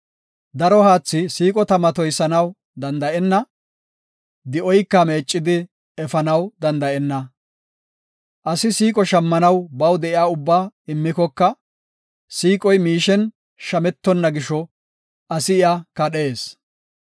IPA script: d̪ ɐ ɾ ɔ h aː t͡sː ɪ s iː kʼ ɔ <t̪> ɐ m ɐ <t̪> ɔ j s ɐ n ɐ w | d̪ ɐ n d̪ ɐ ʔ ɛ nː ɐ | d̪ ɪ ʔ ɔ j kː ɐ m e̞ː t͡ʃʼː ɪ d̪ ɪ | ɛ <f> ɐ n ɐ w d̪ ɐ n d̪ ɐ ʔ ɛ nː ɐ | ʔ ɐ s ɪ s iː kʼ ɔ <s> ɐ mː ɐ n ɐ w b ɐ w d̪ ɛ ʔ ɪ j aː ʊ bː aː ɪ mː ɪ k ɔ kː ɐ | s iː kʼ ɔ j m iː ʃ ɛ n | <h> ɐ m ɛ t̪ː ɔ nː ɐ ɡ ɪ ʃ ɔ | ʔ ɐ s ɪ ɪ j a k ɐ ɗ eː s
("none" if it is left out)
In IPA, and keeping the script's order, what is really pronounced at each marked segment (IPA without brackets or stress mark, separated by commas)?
t̪, t̪, f, ʃ, ʃ